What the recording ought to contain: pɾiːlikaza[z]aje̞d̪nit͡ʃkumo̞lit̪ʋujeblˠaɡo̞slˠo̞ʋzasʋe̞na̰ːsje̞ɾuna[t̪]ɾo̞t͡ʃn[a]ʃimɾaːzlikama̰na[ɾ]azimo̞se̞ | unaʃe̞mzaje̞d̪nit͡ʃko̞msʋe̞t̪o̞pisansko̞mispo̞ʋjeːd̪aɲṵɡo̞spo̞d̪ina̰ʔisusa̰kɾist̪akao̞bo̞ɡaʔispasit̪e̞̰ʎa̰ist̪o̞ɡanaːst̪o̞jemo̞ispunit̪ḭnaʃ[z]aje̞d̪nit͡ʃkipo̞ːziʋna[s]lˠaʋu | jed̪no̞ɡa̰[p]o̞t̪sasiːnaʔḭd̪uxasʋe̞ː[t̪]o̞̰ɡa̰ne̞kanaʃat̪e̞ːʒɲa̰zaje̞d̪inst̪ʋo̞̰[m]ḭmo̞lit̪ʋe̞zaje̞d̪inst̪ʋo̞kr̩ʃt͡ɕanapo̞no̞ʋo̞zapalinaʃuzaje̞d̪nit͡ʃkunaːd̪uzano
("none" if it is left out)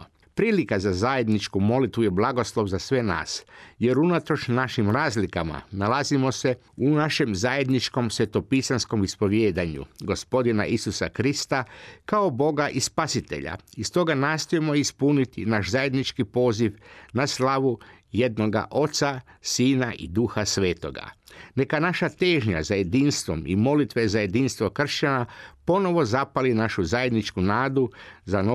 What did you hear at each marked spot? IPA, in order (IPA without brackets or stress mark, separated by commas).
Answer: z, t̪, a, l, z, s, ʔ, t̪, m